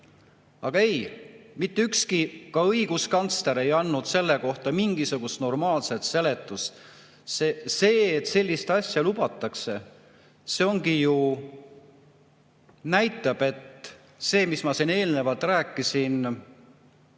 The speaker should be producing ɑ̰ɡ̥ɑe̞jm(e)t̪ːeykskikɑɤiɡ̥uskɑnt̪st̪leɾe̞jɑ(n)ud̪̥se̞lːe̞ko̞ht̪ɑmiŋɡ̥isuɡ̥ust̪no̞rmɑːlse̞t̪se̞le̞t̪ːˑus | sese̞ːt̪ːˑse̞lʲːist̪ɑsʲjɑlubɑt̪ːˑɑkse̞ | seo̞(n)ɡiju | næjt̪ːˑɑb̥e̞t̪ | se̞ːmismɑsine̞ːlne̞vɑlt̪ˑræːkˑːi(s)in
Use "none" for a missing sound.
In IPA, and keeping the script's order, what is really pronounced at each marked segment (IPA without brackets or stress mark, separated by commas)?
i, nː, ŋ, s